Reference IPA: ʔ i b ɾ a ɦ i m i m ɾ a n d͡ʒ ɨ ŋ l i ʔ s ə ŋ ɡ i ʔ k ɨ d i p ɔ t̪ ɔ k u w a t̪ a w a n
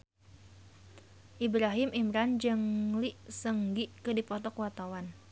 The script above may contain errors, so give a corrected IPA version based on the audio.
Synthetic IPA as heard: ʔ i b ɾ a ɦ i m i m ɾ a n d͡ʒ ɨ ŋ l i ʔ s ə ŋ ɡ i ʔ k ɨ d i p ɔ t̪ ɔ k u w a t̪ a w a n